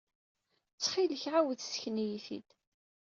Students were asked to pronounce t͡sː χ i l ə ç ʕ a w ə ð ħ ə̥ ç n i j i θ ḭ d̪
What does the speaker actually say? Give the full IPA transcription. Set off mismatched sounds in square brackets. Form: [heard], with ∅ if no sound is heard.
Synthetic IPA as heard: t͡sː χ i l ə ç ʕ a w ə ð [s] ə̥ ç n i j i θ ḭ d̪